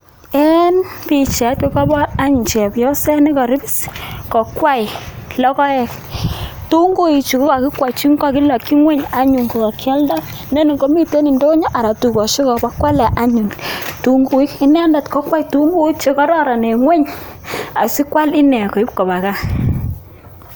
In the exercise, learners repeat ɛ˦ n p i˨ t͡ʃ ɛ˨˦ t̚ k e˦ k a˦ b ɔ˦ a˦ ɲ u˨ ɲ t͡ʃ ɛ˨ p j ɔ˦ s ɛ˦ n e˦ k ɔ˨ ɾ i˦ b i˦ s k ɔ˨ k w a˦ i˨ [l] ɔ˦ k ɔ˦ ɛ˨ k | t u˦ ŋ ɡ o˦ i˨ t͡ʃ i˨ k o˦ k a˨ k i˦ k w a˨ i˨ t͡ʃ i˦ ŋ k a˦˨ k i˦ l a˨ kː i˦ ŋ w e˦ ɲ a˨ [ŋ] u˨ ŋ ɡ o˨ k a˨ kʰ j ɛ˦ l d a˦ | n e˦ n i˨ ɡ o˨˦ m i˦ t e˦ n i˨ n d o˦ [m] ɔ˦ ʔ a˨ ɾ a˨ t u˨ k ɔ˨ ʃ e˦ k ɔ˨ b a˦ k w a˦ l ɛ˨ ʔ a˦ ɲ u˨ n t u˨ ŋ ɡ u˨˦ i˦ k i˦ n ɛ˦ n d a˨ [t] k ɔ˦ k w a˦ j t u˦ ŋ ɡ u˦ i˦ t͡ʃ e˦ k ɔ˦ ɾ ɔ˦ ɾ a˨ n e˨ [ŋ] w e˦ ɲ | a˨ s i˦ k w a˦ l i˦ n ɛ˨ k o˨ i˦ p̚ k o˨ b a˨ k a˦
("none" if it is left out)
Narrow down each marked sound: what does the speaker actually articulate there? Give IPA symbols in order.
l, ɲ, ɲ, t, ŋ

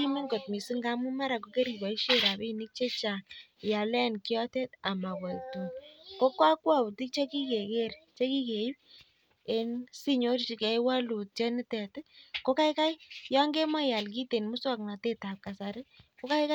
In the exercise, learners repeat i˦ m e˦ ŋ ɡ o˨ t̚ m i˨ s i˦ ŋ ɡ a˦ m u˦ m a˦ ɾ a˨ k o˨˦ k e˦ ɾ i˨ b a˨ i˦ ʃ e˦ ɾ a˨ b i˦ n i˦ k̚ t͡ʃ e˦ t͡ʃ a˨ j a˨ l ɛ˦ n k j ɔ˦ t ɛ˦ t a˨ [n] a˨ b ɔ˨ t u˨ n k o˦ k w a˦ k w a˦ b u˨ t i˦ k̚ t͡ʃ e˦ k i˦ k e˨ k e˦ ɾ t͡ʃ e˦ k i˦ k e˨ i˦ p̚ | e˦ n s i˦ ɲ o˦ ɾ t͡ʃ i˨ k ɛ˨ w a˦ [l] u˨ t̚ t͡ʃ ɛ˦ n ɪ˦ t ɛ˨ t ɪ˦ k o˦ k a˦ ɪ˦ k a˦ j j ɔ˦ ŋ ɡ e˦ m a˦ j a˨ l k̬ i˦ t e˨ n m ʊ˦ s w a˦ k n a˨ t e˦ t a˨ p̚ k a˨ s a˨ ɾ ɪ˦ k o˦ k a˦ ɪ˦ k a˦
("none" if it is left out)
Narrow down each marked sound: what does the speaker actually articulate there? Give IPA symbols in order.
m, l

